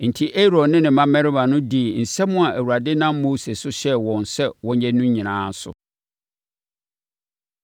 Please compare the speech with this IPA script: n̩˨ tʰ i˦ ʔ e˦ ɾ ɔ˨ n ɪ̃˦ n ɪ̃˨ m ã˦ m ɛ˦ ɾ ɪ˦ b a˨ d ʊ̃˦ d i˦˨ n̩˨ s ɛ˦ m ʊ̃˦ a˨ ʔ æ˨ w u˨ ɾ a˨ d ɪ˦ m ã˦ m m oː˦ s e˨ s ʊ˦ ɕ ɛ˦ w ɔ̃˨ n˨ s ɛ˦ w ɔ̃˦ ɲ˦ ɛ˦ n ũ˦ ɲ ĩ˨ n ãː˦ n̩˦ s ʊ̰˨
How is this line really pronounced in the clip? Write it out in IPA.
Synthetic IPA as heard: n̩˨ tʰ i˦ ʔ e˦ ɾ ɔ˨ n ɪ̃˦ n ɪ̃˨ m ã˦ m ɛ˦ ɾ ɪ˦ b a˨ n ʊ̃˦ d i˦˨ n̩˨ s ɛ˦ m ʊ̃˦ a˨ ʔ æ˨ w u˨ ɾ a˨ d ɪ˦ n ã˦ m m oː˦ s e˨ s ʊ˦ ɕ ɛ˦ w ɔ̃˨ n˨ s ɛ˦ w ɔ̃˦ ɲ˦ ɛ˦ n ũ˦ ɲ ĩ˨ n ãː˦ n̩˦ s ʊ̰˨